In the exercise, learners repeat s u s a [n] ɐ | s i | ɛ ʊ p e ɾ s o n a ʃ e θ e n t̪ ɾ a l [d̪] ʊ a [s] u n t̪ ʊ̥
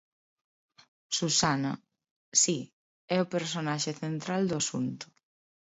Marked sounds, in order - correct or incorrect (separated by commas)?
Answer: correct, correct, correct